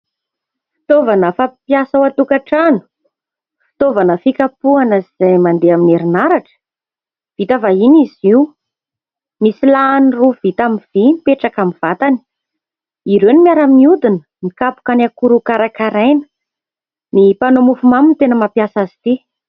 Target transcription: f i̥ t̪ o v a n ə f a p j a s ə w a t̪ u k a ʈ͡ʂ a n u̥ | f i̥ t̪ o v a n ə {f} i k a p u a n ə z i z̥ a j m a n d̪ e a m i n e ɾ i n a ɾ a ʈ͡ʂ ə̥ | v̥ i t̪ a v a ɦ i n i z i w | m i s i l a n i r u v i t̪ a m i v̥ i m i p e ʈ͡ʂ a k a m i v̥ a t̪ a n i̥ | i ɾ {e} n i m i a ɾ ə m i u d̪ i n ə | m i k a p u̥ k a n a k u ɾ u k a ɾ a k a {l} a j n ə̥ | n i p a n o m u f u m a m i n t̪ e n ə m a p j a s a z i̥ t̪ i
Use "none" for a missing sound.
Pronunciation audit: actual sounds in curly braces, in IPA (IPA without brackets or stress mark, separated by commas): f, e, ɾ